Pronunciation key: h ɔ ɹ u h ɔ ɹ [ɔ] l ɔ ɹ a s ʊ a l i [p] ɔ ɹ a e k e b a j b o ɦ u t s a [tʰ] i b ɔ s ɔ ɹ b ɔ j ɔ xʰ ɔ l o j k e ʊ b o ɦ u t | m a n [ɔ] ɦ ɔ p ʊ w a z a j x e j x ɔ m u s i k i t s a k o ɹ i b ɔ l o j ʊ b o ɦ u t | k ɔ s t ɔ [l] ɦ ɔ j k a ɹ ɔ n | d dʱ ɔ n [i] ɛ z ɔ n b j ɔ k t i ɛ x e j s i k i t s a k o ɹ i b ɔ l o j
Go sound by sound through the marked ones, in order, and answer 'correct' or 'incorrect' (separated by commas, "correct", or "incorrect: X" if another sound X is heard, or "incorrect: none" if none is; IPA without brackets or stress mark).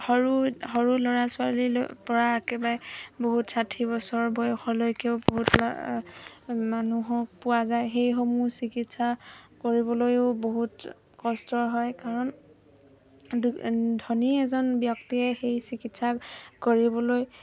incorrect: u, correct, correct, incorrect: u, incorrect: ɹ, correct